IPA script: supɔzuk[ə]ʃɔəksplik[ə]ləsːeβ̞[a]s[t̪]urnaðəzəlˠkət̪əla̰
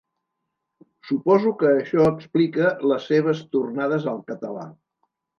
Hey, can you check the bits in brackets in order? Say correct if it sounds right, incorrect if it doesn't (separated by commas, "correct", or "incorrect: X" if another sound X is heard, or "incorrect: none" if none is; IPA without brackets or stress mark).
incorrect: əː, correct, incorrect: ə, correct